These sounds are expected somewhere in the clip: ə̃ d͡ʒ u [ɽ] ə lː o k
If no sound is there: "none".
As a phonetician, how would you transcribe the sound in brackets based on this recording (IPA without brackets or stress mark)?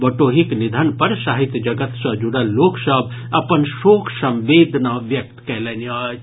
ɽ